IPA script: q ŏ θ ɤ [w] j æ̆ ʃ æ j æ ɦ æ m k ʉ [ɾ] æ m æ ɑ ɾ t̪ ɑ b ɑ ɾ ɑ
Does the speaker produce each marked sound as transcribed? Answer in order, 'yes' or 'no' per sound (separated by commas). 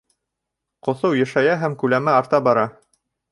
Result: yes, no